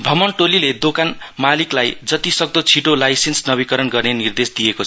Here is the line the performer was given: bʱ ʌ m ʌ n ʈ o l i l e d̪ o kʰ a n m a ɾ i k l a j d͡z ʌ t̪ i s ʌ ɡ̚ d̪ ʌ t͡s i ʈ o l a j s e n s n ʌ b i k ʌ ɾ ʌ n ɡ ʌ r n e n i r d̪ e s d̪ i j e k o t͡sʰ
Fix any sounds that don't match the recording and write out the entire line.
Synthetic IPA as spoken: bʱ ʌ m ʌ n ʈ o l i l e d̪ o k a n m a l i k l a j d͡z ʌ t̪ i s ʌ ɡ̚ d̪ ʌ t͡sʰ i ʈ o l a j s e n s n ʌ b i k ʌ ɾ ʌ n ɡ ʌ r n e n i r d̪ e s d̪ i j e k o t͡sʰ

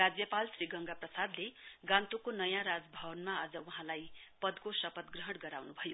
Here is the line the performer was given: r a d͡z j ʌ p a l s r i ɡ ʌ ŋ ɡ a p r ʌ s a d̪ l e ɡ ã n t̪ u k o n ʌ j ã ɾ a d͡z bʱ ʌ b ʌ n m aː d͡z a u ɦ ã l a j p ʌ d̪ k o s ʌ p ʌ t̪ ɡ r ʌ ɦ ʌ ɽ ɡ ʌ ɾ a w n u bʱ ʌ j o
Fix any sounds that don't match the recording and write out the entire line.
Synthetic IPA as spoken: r a d͡z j ʌ p a l s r i ɡ ʌ ŋ ɡ a p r ʌ s a d̪ l e ɡ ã n t̪ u k o n ʌ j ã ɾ a d͡z bʱ ʌ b ʌ n m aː d͡z ʌ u ɦ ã l a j p ʌ d̪ k o s ʌ p ʌ t̪ ɡ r ʌ ɦ ʌ ɽ ɡ ʌ ɾ a w n u bʱ ʌ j o

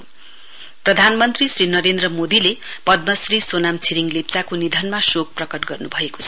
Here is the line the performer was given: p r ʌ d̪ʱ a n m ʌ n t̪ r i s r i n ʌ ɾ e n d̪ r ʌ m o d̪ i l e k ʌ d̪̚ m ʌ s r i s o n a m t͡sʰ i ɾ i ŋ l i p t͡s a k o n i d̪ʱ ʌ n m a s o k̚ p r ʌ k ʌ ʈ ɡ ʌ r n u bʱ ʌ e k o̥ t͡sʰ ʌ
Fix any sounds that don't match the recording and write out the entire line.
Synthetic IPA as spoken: p r ʌ d̪ʱ a n m ʌ n t̪ r i s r i n ʌ ɾ e n d̪ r ʌ m o d̪ i l e p ʌ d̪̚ m ʌ s r i s o n a m t͡sʰ i ɾ i ŋ l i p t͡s a k o n i d̪ʱ ʌ n m a s o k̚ p r ʌ k ʌ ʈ ɡ ʌ r n u bʱ ʌ e k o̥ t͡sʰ ʌ

